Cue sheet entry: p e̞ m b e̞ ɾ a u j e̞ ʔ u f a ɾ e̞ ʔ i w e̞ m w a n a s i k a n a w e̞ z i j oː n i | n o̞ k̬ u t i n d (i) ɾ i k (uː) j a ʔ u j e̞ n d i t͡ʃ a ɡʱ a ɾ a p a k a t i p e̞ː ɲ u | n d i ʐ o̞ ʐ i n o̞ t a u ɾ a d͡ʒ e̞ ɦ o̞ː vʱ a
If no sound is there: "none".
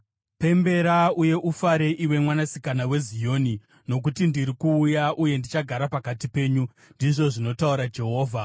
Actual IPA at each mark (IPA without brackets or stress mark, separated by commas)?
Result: i, uː